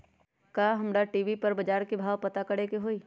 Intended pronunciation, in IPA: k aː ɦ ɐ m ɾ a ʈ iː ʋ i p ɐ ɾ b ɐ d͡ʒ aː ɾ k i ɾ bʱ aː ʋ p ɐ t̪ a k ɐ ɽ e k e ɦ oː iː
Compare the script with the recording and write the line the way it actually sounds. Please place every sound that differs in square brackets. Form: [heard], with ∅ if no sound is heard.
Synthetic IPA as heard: k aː ɦ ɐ m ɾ a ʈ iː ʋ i p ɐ ɾ b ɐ d͡ʒ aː ɾ k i [∅] bʱ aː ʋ p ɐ t̪ a k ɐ ɽ e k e ɦ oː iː